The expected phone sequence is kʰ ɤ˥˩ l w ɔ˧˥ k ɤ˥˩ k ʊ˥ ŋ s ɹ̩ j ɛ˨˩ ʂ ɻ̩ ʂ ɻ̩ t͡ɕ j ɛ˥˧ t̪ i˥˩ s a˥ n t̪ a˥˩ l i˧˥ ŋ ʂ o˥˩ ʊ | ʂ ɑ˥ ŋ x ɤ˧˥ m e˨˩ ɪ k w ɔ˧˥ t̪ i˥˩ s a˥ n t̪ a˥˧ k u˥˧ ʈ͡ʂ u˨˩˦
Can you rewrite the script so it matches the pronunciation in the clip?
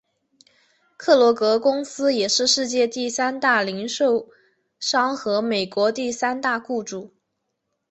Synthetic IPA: kʰ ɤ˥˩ l w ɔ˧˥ k ɤ˧˥ k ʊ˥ ŋ s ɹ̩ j ɛ˨˩ ʂ ɻ̩ ʂ ɻ̩ t͡ɕ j ɛ˥˧ t̪ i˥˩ s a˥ n t̪ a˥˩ l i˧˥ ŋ ʂ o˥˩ ʊ | ʂ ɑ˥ ŋ x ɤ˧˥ m e˨˩ ɪ k w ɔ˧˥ t̪ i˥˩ s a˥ n t̪ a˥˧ k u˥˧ ʈ͡ʂ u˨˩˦